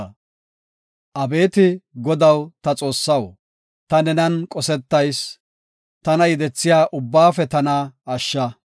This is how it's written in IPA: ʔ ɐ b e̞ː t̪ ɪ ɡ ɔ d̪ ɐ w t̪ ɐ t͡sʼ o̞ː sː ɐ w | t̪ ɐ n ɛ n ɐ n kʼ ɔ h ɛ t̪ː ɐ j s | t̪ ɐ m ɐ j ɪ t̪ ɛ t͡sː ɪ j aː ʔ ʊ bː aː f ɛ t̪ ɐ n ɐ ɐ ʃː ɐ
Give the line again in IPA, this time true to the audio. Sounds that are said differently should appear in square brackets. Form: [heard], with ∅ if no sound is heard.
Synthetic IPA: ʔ ɐ b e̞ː t̪ ɪ ɡ ɔ d̪ ɐ w t̪ ɐ t͡sʼ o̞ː sː ɐ w | t̪ ɐ n ɛ n ɐ n kʼ ɔ [s] ɛ t̪ː ɐ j s | t̪ ɐ [n] ɐ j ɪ [d̪] ɛ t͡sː ɪ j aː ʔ ʊ bː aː f ɛ t̪ ɐ n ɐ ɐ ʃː ɐ